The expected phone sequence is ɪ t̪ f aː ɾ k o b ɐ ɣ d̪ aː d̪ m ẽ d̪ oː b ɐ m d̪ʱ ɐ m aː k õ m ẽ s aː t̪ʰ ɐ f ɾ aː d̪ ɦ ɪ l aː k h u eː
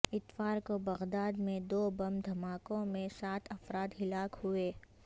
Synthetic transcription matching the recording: ɪ t̪ f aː ɾ k o b ɐ ɣ d̪ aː d̪ m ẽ d̪ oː b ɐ m d̪ʱ ɐ m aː k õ m ẽ s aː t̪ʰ ɐ f ɾ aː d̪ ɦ ɪ l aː k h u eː